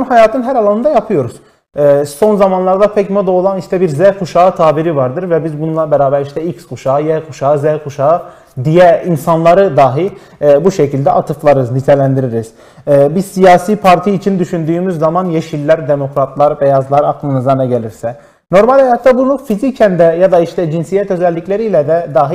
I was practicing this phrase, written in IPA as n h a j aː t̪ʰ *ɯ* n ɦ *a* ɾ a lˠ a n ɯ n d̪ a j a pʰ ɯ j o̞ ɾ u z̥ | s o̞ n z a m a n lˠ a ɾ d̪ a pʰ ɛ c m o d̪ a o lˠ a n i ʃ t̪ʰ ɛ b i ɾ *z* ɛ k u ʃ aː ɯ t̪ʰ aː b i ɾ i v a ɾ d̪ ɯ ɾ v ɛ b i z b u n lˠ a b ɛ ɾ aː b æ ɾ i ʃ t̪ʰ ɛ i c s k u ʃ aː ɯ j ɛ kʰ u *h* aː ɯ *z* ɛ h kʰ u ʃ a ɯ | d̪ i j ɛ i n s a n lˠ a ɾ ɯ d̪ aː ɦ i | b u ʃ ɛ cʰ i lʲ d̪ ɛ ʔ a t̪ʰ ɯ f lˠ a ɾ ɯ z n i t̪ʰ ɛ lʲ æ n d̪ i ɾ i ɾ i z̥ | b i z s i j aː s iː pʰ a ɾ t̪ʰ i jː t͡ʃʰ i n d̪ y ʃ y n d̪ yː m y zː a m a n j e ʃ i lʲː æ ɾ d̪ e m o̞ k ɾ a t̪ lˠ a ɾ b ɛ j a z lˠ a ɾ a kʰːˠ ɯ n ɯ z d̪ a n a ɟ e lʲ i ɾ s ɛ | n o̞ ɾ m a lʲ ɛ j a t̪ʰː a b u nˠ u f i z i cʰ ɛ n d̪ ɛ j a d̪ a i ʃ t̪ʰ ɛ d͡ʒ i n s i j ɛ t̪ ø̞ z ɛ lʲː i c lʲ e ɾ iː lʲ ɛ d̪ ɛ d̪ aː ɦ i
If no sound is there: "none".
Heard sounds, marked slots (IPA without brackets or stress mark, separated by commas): ɯ, æ, z, ʃ, z